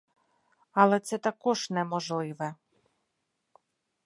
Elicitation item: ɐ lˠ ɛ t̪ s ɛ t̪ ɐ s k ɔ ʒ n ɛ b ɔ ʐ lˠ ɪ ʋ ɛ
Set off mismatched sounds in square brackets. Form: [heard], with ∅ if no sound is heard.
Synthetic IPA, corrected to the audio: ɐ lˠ ɛ t̪ s ɛ t̪ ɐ [∅] k ɔ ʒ n ɛ [m] ɔ [ʒ] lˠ ɪ ʋ ɛ